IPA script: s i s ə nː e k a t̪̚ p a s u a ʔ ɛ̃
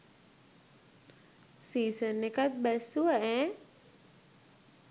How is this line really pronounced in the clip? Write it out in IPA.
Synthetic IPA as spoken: s i s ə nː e k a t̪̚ b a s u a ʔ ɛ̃